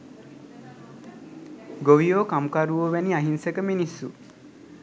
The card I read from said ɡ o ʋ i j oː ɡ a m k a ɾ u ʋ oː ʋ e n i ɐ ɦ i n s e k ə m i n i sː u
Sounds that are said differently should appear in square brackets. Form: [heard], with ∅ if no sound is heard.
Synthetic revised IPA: ɡ o ʋ i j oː [k] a m k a ɾ u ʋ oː ʋ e n i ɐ ɦ i n s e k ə m i n i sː u